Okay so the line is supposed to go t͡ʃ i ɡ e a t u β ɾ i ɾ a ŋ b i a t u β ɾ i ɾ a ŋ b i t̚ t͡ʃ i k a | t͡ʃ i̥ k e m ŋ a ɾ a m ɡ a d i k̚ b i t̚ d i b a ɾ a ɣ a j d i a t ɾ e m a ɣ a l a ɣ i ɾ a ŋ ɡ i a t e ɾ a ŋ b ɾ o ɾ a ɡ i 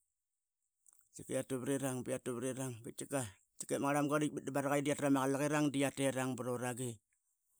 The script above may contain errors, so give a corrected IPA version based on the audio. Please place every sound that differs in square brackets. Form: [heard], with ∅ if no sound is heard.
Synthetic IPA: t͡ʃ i [k] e a t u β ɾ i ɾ a ŋ b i a t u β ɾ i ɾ a ŋ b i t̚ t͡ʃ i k a | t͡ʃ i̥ k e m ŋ a ɾ a m ɡ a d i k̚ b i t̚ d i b a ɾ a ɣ a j d i a t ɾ [a] m a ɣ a l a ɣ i ɾ a ŋ [d] i a t e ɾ a ŋ b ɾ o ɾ a ɡ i